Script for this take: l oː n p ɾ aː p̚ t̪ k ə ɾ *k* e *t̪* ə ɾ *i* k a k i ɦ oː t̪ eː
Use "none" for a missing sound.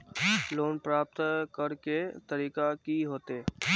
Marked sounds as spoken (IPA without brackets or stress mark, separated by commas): k, t̪, iː